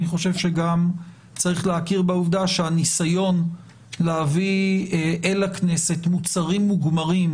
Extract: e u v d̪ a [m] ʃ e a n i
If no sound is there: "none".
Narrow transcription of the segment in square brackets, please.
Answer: none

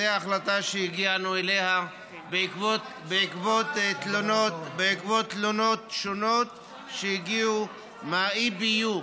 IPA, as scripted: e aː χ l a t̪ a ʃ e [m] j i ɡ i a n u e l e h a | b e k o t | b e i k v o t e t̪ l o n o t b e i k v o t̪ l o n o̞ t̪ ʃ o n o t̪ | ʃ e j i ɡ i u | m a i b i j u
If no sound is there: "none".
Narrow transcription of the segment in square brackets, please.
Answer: none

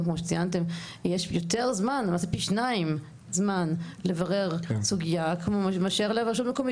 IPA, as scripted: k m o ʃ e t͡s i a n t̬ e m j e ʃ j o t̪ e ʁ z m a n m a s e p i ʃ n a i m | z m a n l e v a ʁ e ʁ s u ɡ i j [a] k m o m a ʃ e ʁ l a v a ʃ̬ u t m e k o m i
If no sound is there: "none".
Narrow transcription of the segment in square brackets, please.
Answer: a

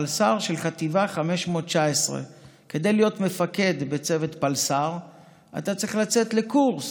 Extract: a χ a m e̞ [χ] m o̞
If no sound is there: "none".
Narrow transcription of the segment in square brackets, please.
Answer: ʃ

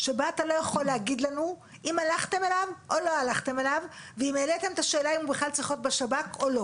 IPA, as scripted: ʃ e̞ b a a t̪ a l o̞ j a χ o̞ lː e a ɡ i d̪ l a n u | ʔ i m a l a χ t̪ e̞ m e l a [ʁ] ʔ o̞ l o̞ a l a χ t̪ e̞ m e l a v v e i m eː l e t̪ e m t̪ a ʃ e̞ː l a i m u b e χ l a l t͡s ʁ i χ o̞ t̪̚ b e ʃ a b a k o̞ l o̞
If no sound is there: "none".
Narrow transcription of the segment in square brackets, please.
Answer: v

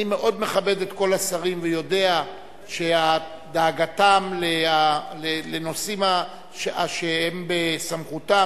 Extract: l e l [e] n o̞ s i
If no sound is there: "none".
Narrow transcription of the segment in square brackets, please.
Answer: e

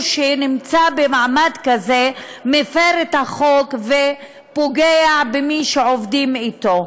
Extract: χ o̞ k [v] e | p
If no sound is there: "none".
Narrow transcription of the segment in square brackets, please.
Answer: v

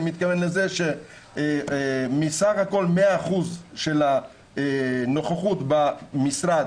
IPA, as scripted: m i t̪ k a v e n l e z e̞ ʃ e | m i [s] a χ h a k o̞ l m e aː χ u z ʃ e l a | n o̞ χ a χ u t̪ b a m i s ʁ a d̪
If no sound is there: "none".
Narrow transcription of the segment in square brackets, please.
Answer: s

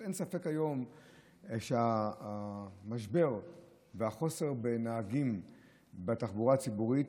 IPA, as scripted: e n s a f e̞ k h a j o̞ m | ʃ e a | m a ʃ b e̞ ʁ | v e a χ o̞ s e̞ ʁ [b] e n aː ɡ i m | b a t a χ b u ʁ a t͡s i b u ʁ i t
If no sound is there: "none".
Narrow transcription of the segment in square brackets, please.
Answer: b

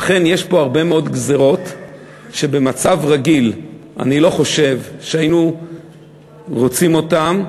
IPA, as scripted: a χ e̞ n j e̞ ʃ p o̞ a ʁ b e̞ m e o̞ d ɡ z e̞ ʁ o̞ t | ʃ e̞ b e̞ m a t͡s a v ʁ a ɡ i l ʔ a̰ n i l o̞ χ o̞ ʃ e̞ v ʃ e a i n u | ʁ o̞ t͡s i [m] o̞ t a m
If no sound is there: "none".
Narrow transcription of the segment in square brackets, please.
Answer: m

